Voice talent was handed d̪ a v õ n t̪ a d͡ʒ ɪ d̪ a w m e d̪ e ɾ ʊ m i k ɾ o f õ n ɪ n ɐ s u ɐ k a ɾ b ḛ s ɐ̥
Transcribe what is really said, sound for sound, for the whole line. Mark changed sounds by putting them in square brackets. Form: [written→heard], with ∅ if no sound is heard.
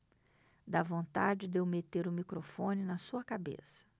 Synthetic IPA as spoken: d̪ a v õ n t̪ a d͡ʒ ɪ d̪ [a→e] w m e [d̪→t̪] e ɾ ʊ m i k ɾ o f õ n ɪ n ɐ s u ɐ k a [ɾ→∅] b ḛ s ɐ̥